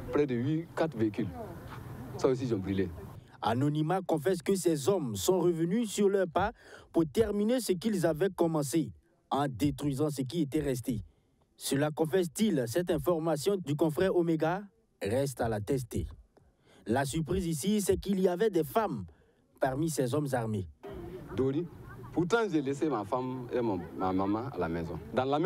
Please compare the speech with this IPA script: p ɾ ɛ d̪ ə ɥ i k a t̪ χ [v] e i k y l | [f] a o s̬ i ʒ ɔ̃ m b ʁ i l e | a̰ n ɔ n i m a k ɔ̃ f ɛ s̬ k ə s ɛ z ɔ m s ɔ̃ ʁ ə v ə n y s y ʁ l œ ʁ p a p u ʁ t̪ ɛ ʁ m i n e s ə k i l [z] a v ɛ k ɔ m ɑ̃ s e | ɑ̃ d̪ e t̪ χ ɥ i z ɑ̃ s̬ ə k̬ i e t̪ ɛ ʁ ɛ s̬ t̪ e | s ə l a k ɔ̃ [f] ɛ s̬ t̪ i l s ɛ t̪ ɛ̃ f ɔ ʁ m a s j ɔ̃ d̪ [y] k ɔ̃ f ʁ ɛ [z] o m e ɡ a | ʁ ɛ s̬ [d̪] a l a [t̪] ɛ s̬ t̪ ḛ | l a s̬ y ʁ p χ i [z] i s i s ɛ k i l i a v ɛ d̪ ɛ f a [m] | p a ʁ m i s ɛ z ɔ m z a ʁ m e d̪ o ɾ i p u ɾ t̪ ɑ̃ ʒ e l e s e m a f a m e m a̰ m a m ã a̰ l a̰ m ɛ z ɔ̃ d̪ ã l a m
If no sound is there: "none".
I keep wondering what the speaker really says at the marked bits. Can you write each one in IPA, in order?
v, s, z, f, y, ʁ, t̪, t̪, z, m

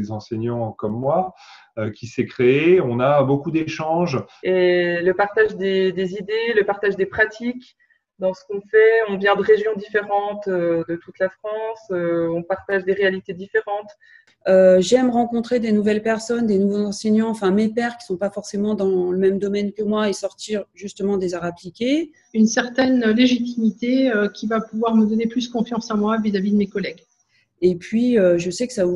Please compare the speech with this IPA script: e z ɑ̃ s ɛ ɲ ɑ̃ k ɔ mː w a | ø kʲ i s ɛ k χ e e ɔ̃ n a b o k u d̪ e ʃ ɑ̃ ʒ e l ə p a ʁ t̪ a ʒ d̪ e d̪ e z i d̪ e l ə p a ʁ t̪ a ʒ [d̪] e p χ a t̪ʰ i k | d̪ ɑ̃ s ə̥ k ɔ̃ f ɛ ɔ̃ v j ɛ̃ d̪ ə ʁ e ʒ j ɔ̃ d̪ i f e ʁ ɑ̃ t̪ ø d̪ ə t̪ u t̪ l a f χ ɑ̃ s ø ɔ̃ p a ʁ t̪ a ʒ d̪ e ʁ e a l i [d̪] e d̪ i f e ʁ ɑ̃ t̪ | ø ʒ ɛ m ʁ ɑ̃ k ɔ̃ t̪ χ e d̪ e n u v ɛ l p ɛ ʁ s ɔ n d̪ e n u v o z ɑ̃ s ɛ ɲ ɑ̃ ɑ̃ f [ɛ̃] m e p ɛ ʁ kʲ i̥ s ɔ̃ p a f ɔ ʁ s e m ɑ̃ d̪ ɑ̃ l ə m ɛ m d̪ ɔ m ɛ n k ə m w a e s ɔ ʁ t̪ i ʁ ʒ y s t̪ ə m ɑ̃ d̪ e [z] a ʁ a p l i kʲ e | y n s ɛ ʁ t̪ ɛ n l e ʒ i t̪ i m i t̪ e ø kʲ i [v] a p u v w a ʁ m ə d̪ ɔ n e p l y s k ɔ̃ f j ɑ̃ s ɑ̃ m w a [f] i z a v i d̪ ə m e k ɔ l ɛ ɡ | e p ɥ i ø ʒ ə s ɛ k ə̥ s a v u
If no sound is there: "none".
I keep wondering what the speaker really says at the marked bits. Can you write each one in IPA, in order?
d̪, t̪, ɛ̃, z, v, v

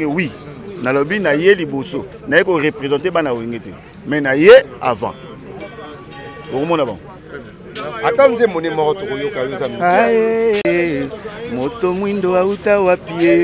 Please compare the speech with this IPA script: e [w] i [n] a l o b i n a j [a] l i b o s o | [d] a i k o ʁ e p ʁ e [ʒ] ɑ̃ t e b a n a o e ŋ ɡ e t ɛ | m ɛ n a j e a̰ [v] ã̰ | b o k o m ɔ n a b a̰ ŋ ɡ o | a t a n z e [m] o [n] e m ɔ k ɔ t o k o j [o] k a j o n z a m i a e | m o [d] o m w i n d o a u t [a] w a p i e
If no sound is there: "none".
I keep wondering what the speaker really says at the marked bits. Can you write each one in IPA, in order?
w, n, e, n, z, v, m, n, o, t, a

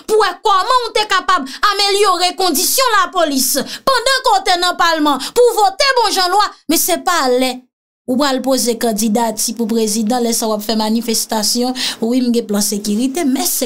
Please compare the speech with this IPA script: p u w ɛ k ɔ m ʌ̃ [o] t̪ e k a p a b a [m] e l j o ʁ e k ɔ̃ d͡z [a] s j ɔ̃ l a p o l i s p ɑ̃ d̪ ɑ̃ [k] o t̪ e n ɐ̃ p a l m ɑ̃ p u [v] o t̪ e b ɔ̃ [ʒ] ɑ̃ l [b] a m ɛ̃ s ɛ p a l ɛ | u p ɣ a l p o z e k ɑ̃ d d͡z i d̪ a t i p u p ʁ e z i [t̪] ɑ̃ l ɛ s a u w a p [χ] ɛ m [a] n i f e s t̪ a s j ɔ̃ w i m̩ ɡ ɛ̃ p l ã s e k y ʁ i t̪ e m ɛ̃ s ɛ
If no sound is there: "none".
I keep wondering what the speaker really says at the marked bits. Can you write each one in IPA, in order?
u, m, i, k, v, ʒ, w, d̪, f, a

